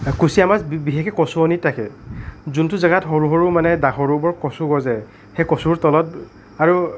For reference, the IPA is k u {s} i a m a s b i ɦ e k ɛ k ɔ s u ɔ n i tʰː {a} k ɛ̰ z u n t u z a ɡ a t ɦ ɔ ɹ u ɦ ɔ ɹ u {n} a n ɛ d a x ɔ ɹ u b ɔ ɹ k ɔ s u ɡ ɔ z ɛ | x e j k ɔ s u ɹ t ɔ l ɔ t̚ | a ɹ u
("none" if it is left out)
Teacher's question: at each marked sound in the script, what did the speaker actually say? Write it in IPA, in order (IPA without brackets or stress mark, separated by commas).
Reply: s, a, m